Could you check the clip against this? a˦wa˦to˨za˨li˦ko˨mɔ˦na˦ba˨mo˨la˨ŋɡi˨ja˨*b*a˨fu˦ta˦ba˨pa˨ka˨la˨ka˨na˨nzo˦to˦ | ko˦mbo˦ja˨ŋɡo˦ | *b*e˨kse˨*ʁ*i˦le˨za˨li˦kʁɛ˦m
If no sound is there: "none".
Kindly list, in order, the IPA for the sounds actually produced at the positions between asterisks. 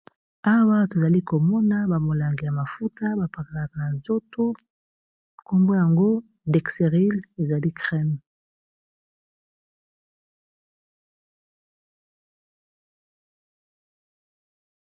m, d, ʁ

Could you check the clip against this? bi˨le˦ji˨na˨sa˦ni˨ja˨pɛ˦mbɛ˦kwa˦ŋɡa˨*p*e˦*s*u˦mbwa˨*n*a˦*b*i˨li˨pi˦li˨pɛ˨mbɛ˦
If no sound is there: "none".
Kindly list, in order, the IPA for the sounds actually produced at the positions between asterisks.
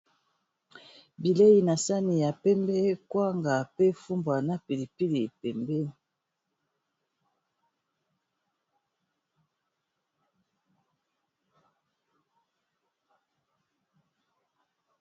p, f, n, p

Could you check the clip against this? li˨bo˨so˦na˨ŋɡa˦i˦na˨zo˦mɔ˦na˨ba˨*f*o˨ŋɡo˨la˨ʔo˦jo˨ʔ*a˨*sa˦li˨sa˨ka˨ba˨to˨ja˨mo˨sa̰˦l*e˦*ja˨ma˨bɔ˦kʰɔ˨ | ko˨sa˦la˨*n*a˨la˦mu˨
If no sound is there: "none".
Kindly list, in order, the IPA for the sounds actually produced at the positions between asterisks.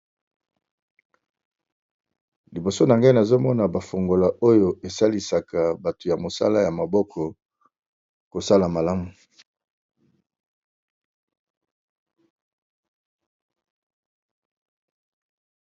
f, e˨, a˦, m

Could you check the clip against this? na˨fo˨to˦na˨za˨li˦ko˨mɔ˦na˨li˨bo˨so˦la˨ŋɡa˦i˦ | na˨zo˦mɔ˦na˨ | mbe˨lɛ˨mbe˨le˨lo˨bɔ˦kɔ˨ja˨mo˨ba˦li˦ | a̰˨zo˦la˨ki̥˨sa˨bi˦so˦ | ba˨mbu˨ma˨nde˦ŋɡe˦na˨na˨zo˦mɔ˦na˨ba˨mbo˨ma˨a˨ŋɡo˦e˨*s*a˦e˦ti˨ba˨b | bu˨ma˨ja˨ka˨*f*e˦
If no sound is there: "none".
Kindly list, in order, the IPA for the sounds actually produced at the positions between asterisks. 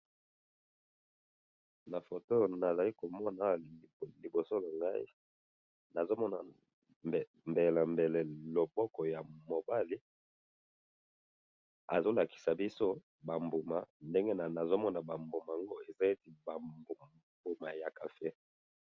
z, f

